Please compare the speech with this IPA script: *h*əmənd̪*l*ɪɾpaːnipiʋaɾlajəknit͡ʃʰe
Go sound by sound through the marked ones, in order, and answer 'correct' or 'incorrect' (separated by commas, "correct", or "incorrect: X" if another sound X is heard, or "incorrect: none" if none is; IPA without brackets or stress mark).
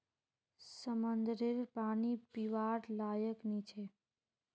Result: incorrect: s, incorrect: ɾ